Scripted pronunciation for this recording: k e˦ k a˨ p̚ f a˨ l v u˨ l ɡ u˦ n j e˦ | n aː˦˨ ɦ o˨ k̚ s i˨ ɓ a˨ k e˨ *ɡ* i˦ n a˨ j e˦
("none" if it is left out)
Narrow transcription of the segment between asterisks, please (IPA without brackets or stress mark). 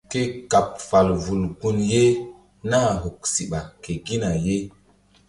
ɡ